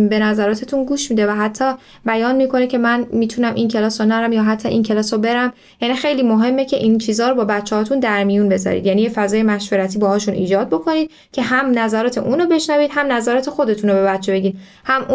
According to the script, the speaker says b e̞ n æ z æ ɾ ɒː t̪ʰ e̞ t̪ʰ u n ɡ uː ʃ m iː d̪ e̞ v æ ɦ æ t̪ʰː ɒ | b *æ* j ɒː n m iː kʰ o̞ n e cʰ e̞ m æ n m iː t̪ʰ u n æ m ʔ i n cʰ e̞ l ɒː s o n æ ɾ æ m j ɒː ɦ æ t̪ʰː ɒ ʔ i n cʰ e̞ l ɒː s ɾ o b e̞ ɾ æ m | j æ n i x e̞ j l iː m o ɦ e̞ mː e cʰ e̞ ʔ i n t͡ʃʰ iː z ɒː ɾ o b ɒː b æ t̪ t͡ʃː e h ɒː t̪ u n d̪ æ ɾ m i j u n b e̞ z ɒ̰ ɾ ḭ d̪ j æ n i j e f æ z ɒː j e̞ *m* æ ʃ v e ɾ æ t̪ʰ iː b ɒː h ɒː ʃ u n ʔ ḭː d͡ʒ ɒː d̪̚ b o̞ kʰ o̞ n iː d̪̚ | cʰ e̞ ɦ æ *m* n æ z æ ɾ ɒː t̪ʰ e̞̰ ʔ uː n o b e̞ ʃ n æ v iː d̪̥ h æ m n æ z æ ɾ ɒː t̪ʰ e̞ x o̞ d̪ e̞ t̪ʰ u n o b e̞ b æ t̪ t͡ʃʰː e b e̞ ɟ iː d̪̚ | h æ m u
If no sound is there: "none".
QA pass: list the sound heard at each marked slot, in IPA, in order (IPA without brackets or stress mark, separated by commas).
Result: æ, m, m